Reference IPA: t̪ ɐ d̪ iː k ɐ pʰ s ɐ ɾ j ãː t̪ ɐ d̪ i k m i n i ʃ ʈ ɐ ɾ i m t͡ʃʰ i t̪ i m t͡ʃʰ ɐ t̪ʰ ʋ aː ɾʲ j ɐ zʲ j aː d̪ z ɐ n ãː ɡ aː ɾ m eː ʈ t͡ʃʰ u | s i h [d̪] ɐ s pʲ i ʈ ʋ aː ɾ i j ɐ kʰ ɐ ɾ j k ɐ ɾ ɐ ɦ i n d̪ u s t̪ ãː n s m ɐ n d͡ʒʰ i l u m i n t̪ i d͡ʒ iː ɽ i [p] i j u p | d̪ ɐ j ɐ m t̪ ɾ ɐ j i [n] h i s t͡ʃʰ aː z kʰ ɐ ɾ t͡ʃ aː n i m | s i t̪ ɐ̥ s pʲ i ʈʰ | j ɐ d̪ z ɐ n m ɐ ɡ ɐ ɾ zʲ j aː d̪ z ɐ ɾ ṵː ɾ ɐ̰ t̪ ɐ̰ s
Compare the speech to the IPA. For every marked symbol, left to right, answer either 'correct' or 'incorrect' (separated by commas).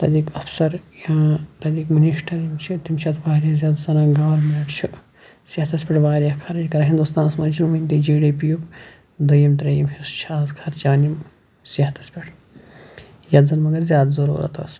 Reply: incorrect, correct, incorrect